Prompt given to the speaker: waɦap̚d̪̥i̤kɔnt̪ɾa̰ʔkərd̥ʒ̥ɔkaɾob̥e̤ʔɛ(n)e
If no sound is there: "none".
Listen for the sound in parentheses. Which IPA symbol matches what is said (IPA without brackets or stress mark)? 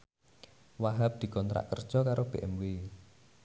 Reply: m